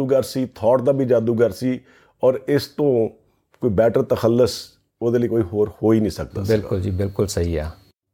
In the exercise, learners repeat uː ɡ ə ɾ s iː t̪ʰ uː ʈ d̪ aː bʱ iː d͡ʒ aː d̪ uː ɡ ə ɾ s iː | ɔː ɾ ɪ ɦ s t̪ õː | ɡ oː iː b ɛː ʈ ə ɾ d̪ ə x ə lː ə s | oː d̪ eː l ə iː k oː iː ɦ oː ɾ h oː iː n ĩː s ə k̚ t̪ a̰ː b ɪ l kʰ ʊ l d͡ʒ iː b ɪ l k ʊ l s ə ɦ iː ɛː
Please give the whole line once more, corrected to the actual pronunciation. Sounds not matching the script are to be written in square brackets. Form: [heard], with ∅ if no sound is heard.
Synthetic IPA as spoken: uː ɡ ə ɾ s iː t̪ʰ [ɔː] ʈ d̪ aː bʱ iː d͡ʒ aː d̪ uː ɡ ə ɾ s iː | ɔː ɾ ɪ [∅] s t̪ õː | [k] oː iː b ɛː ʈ ə ɾ [t̪] ə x ə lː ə s | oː d̪ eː l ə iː k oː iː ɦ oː ɾ h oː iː n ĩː s ə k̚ [d̪] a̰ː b ɪ l [k] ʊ l d͡ʒ iː b ɪ l k ʊ l s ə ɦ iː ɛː